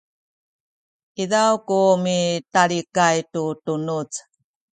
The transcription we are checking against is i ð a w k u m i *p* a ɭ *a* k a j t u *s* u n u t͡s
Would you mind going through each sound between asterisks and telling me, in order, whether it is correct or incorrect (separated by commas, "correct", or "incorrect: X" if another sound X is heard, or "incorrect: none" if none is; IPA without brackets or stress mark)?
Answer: incorrect: t, incorrect: i, incorrect: t